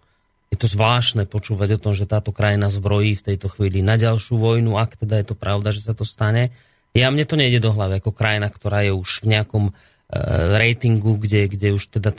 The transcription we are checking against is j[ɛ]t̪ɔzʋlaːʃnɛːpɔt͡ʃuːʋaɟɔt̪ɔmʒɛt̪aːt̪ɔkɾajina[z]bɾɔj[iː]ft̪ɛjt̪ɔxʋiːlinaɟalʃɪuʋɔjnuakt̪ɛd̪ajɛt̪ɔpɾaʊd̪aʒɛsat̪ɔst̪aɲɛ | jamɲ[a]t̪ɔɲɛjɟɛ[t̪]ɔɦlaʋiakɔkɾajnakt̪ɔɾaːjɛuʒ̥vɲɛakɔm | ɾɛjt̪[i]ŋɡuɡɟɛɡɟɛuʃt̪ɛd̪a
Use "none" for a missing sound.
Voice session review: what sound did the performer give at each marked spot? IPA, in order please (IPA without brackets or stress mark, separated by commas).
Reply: ɛ, z, iː, ɛ, d̪, i